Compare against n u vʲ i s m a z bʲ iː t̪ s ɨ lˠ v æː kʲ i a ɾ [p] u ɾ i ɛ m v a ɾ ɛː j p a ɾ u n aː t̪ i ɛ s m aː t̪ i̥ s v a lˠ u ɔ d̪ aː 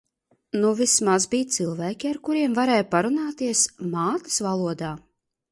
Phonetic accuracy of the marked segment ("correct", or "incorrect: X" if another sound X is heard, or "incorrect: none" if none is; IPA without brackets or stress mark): incorrect: k